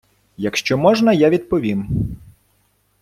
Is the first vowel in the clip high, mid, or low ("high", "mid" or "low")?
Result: low